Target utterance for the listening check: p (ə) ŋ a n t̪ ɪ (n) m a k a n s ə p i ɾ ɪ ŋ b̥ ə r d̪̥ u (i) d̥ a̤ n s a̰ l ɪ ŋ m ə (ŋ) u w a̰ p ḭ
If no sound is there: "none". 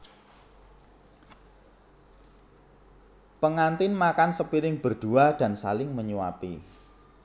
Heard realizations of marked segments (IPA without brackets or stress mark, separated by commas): ə, n, a, ɲ